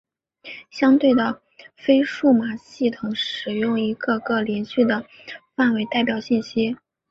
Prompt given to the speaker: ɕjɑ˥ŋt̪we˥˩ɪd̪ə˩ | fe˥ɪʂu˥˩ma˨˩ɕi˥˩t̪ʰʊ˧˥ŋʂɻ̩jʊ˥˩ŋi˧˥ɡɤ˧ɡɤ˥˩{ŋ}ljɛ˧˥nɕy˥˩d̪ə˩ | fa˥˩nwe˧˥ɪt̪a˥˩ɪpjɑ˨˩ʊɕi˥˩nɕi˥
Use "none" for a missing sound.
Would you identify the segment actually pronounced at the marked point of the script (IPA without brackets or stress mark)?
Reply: none